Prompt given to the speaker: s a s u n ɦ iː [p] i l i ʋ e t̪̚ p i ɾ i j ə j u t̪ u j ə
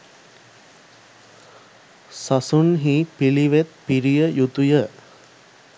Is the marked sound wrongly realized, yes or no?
no